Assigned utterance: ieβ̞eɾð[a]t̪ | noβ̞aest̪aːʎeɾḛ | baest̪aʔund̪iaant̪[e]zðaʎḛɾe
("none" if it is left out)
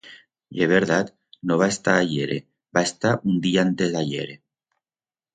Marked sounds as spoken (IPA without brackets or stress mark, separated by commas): a, e